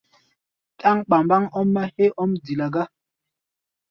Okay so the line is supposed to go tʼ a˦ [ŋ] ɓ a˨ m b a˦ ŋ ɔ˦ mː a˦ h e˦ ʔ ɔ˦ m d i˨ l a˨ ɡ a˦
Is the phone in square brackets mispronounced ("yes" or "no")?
no